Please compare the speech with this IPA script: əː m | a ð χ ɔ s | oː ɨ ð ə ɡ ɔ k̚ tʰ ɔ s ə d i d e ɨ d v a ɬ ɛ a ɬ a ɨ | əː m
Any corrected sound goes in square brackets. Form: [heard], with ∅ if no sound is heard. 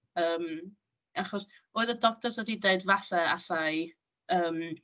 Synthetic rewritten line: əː m | a [∅] χ ɔ s | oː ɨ ð ə [d] ɔ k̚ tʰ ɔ s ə d i d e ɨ d v a ɬ ɛ a ɬ a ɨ | əː m